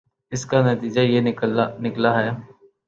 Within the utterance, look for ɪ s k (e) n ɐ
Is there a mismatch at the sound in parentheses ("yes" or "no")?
yes